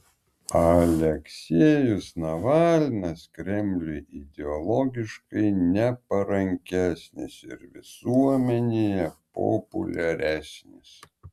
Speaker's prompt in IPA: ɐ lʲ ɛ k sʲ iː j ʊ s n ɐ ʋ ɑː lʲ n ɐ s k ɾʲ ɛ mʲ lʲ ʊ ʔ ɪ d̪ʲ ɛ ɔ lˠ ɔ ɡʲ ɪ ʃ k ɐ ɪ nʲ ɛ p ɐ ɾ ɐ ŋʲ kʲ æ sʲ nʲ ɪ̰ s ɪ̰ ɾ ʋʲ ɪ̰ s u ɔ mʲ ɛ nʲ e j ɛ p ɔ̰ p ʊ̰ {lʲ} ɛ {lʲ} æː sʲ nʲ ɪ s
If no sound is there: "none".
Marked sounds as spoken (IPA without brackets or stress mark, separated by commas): lʲ, ɾʲ